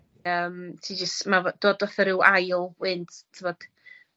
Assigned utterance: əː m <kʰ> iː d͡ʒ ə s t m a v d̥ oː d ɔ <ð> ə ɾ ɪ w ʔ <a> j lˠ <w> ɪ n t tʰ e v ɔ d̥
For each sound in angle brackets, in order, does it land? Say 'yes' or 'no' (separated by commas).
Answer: no, no, yes, yes